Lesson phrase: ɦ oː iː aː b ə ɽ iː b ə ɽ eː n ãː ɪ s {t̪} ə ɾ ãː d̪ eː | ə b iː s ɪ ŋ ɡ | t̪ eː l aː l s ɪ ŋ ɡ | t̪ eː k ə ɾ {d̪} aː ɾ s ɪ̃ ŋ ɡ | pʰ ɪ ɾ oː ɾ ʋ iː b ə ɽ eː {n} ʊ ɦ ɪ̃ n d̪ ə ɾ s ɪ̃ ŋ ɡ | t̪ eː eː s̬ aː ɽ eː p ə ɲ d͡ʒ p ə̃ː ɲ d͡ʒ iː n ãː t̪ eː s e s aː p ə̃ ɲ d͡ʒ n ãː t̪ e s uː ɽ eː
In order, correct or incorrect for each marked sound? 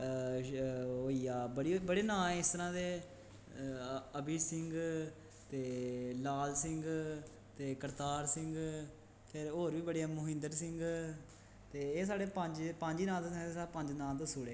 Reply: correct, incorrect: t̪, incorrect: m

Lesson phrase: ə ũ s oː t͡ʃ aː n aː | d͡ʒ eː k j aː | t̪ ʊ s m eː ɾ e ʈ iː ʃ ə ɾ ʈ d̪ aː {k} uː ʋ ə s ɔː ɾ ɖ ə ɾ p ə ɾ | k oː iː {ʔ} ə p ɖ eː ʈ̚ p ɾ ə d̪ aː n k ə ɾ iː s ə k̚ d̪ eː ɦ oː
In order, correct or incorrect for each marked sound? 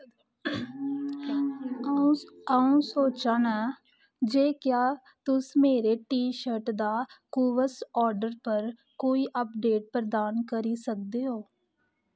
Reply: correct, correct

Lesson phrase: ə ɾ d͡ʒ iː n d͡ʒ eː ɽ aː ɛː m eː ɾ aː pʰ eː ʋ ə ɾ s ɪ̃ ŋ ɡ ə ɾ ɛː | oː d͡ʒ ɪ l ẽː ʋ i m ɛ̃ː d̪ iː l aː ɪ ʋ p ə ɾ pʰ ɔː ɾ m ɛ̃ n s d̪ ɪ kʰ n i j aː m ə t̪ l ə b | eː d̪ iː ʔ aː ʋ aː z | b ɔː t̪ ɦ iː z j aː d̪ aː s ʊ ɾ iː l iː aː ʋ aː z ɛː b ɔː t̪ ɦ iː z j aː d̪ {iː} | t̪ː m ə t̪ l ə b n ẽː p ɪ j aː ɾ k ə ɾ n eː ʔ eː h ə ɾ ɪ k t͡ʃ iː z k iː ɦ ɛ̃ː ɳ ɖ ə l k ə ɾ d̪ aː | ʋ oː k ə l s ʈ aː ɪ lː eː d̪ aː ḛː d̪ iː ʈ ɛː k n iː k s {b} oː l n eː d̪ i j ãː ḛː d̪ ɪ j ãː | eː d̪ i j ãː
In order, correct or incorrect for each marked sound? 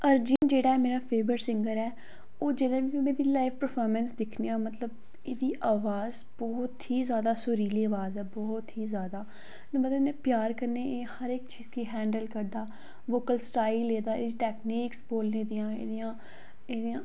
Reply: incorrect: aː, correct

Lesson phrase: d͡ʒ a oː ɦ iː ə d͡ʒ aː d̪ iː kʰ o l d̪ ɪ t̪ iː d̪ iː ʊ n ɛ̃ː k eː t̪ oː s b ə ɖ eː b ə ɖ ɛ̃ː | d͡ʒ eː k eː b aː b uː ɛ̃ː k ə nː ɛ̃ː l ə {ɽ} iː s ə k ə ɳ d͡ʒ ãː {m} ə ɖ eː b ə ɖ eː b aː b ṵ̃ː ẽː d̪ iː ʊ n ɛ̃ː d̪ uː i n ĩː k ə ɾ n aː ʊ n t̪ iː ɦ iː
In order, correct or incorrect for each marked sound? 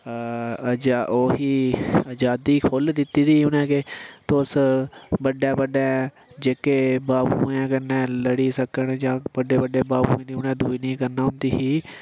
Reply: correct, incorrect: b

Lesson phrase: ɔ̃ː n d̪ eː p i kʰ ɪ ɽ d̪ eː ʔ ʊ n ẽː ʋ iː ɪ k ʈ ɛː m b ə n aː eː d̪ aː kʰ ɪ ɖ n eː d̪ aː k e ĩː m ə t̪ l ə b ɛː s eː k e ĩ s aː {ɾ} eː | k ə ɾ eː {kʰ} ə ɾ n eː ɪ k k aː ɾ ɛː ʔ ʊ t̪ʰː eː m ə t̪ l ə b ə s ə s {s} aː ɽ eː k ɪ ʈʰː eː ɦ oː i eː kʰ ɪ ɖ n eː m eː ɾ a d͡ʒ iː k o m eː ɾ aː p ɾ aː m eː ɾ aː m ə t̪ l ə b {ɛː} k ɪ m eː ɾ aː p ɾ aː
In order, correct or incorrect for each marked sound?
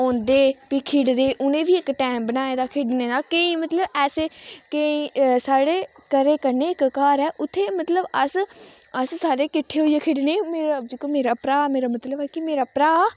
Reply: incorrect: ɽ, incorrect: k, correct, correct

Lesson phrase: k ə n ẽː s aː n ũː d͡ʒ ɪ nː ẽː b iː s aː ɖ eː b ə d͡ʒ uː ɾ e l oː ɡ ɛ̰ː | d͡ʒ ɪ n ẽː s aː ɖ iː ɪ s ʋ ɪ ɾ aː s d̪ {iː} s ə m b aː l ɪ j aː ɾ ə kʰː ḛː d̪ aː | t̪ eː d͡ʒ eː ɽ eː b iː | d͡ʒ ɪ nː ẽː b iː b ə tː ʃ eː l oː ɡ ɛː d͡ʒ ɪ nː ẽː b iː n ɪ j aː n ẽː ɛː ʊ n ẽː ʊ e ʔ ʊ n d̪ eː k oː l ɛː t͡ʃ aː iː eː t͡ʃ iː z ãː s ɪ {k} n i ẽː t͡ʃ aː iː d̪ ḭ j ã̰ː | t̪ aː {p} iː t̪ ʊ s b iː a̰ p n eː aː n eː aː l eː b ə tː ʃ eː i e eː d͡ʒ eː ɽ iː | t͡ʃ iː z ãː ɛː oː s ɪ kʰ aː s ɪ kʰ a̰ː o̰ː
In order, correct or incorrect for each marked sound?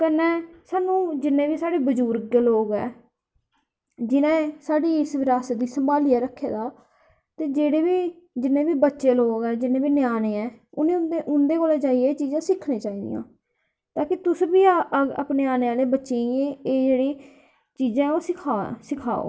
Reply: correct, incorrect: kʰ, incorrect: k

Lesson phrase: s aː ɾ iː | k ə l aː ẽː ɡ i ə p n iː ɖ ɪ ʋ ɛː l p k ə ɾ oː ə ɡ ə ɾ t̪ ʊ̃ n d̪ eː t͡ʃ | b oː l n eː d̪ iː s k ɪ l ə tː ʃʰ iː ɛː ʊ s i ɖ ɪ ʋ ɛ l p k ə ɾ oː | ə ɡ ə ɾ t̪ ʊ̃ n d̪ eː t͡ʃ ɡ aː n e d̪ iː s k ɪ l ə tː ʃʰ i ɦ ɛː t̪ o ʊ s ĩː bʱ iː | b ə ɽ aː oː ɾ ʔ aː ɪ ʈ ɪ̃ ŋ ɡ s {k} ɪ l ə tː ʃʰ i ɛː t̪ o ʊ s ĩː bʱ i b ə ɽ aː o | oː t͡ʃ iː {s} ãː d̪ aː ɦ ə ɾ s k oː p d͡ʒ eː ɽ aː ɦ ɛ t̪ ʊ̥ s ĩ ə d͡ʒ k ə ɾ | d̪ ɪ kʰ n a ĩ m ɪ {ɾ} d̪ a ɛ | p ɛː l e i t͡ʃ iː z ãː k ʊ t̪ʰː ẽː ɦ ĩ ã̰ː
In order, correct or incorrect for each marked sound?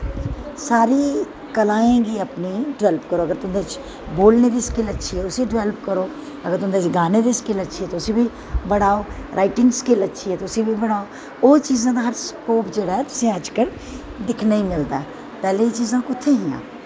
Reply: correct, incorrect: z, incorrect: l

